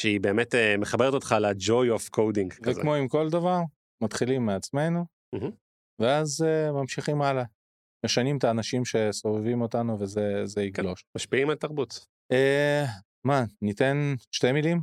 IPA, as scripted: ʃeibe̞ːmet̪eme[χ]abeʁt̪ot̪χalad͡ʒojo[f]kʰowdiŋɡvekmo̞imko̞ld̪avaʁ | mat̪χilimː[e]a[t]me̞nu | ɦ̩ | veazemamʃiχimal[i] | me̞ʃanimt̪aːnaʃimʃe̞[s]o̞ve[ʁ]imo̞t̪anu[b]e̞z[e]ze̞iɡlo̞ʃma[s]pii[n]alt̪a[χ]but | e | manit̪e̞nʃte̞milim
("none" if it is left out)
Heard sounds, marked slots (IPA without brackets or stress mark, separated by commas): χ, f, e, t͡s, a, s, v, v, e, ʃ, m, ʁ